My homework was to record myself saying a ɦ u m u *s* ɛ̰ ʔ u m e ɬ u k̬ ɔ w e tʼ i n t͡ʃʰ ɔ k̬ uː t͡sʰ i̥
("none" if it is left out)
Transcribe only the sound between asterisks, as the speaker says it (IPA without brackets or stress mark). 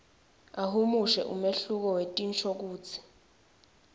ʃ